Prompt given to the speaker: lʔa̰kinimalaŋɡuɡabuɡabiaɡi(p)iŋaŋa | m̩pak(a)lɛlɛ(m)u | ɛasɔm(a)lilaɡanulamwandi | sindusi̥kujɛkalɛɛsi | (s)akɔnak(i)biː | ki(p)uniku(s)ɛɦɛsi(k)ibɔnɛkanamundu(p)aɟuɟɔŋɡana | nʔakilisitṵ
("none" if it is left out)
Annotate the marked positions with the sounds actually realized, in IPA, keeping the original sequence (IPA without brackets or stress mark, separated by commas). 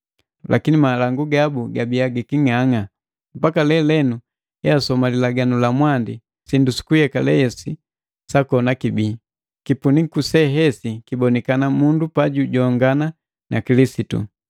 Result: k, a, n, a, s, i, p, s, k, p